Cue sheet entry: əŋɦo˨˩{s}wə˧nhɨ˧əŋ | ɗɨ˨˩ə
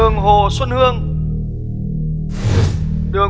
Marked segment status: correct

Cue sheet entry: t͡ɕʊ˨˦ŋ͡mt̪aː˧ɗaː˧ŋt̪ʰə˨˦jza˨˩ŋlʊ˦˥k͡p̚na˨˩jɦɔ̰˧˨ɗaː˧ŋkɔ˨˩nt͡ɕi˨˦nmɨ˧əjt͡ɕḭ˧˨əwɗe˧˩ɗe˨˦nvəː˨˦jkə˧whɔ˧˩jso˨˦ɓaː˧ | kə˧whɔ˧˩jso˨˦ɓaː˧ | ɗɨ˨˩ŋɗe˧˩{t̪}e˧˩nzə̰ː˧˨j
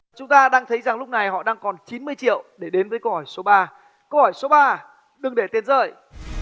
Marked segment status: correct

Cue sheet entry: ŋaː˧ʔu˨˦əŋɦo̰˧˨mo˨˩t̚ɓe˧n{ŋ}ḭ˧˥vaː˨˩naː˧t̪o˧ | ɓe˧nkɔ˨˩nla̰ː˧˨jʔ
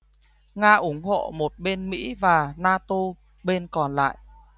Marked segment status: incorrect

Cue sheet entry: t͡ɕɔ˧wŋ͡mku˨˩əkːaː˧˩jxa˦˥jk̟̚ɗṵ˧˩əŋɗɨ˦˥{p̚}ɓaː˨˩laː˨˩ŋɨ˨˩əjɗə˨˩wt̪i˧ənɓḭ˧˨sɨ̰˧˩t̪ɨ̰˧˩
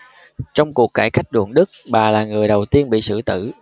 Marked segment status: incorrect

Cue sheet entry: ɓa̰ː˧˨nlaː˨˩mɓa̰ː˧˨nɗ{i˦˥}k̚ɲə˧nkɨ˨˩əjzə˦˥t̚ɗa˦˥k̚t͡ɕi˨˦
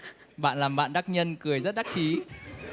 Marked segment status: incorrect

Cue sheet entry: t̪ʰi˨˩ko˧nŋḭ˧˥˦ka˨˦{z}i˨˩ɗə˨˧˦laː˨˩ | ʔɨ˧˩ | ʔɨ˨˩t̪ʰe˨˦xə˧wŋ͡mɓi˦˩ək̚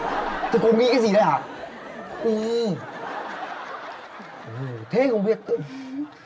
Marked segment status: correct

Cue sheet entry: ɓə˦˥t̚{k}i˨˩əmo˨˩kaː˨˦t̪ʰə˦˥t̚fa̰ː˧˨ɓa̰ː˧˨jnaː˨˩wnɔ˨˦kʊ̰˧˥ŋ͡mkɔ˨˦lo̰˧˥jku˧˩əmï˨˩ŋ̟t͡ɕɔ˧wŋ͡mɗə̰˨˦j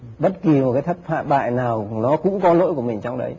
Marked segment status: correct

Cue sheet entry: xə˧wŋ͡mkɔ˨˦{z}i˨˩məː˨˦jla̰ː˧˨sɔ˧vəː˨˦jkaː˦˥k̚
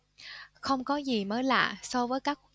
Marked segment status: correct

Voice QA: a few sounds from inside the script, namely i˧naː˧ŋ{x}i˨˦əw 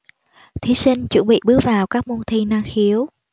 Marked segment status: correct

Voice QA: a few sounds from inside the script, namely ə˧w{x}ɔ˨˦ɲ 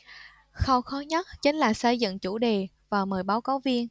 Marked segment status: correct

